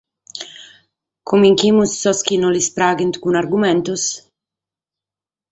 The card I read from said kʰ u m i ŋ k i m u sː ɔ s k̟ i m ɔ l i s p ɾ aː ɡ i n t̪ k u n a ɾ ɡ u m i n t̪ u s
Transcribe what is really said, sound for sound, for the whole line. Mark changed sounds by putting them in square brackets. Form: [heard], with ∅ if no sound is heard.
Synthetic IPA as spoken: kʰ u m i ŋ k i m u sː ɔ s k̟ i [n] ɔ l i s p ɾ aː ɡ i n t̪ k u n a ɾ ɡ u m [ɛ] n t̪ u s